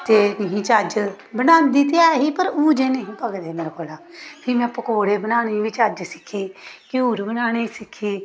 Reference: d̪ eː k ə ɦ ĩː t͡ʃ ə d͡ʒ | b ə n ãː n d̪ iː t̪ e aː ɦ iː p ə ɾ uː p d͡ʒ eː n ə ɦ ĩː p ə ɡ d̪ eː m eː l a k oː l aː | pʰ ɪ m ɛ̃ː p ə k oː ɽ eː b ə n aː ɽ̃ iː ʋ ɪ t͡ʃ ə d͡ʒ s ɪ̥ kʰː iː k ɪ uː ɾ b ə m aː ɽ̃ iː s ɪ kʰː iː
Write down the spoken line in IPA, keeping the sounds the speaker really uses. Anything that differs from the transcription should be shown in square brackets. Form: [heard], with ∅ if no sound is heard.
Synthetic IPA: [t̪] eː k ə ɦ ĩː t͡ʃ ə d͡ʒ | b ə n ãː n d̪ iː t̪ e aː ɦ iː p ə ɾ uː [∅] d͡ʒ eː n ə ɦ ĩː p ə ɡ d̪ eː m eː [ɾ] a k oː l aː | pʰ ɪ m ɛ̃ː p ə k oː ɽ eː b ə n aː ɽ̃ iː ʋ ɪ t͡ʃ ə d͡ʒ s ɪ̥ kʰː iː k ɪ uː ɾ b ə [n] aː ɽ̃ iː s ɪ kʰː iː